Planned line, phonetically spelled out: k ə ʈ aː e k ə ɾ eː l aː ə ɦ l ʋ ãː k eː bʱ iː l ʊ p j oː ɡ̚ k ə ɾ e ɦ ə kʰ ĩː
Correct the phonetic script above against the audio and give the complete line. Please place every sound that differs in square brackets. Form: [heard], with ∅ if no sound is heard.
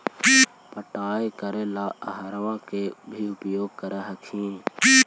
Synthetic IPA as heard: [p] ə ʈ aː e k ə ɾ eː l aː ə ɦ [ɾ] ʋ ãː k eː bʱ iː [∅] ʊ p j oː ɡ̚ k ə ɾ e ɦ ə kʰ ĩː